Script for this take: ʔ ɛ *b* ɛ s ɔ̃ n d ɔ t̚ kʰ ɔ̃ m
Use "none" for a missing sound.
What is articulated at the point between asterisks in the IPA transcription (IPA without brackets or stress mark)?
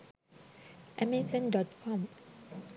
m